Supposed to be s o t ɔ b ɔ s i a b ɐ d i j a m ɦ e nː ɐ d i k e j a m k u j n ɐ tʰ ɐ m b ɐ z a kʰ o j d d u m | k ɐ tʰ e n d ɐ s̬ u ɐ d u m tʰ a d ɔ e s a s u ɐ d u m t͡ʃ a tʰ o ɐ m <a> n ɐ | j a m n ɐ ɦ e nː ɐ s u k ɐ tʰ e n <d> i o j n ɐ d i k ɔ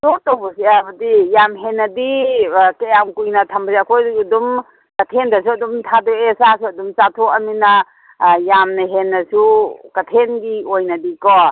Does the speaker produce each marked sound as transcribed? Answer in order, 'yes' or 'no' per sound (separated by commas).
no, no